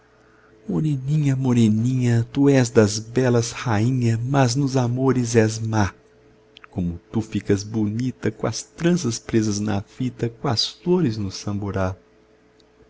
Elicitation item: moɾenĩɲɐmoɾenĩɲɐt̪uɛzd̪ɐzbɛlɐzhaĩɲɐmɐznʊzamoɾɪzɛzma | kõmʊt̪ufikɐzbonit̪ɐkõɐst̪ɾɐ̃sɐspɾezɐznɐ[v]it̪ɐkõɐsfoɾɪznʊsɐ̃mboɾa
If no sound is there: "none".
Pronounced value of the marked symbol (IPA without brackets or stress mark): f